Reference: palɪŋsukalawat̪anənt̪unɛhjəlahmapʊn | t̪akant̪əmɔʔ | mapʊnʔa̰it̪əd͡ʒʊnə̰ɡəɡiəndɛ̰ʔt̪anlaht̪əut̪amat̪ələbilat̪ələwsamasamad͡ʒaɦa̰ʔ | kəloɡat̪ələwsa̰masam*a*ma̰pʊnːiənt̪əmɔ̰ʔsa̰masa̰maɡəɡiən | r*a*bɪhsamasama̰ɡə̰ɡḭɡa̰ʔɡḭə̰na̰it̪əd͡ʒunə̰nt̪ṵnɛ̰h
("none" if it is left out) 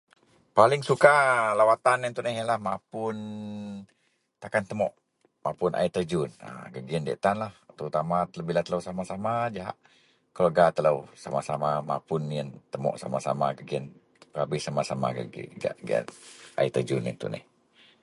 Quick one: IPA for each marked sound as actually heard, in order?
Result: a, a

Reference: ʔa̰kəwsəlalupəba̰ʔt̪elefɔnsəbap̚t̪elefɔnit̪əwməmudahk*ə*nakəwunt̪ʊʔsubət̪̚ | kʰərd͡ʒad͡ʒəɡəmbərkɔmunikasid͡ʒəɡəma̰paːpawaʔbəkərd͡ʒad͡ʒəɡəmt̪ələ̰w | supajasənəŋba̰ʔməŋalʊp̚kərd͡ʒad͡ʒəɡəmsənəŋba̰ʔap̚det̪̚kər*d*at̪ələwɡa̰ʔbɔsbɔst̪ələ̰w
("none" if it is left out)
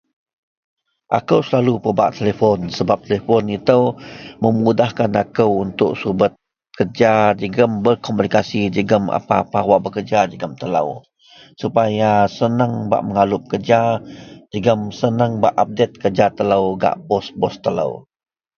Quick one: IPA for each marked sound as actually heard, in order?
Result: a, d͡ʒ

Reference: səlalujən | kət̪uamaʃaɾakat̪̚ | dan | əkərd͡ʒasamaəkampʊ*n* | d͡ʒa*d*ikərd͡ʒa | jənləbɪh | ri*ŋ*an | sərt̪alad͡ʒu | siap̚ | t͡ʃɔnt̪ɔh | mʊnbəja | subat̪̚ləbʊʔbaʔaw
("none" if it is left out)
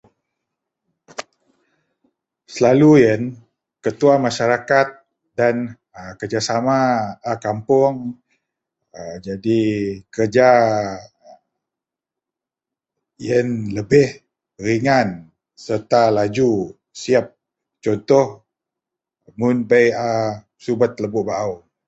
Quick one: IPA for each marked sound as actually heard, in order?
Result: ŋ, d, ŋ

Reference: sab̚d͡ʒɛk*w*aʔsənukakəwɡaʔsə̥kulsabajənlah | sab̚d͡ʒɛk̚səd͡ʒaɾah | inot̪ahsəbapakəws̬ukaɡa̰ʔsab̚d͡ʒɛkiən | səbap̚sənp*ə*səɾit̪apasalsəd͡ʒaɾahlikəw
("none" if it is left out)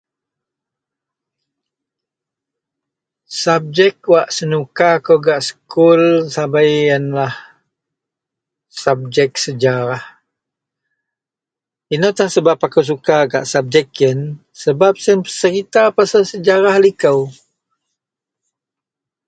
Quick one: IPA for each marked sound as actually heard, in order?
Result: w, ə

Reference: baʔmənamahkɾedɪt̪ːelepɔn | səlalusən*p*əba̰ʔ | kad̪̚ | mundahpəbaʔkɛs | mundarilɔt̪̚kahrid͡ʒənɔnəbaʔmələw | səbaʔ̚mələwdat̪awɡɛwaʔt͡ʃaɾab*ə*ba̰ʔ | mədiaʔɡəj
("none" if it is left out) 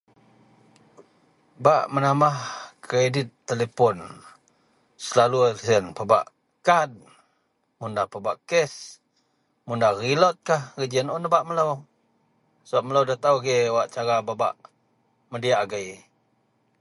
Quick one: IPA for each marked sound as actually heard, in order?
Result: p, a

